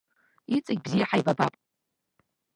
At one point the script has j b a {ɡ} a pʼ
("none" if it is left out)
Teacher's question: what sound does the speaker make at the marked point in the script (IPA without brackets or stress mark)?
b